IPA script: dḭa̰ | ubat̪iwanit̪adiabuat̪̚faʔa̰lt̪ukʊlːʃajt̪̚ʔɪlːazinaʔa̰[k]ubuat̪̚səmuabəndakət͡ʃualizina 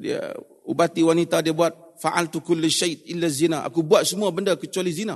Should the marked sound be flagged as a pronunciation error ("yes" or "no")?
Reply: no